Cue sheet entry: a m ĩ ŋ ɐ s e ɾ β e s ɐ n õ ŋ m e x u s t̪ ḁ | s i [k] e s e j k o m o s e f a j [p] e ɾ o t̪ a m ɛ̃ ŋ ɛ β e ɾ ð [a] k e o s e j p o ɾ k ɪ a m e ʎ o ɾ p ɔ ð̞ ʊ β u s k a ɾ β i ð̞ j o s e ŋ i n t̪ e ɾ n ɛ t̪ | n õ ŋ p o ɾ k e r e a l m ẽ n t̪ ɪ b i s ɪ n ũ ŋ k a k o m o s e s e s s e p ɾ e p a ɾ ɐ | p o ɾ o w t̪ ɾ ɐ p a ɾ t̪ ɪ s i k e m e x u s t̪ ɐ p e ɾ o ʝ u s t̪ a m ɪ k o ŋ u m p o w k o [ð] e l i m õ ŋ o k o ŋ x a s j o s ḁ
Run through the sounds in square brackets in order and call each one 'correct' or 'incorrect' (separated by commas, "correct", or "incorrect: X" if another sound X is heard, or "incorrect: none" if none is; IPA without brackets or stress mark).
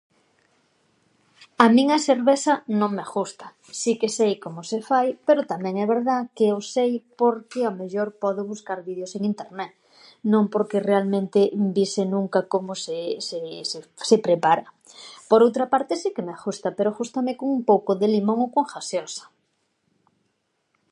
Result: correct, correct, correct, correct